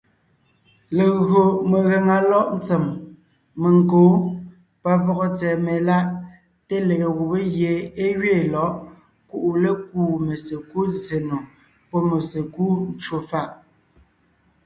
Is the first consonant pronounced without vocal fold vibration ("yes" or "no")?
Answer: no